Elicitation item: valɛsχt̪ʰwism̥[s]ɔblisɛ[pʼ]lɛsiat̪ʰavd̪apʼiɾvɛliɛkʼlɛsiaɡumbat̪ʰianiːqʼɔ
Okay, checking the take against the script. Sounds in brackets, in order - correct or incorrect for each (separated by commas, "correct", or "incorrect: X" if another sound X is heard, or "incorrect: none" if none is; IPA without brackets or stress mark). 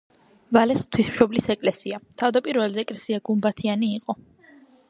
incorrect: ʃ, incorrect: kʼ